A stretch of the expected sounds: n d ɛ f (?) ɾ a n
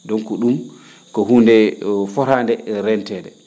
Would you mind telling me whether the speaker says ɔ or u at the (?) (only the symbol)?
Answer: ɔ